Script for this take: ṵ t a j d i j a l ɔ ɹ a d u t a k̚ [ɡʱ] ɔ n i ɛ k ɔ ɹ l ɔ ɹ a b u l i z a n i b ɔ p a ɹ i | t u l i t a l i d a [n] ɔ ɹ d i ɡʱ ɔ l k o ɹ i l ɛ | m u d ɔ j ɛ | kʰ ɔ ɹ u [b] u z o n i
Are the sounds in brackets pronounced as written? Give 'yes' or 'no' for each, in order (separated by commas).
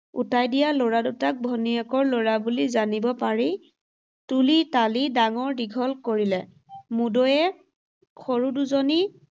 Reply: no, no, no